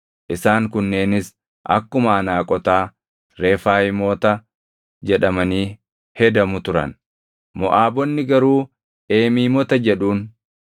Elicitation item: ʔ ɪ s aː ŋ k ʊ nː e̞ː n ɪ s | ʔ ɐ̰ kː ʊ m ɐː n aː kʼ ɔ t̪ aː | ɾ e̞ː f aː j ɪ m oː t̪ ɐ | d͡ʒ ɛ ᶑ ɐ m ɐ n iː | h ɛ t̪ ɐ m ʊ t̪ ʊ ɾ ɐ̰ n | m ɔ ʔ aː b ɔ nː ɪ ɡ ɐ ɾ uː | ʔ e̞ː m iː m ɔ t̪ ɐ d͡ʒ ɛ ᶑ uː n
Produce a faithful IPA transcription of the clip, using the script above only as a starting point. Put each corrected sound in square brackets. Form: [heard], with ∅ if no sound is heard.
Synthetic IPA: ʔ ɪ s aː ŋ k ʊ nː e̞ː n ɪ s | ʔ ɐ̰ kː ʊ m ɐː n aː kʼ ɔ t̪ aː | ɾ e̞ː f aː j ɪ m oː t̪ ɐ | d͡ʒ ɛ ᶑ ɐ m ɐ n iː | h ɛ [d̪] ɐ m ʊ t̪ ʊ ɾ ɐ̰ n | m ɔ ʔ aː b ɔ nː ɪ ɡ ɐ ɾ uː | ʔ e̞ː m iː m ɔ t̪ ɐ d͡ʒ ɛ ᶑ uː n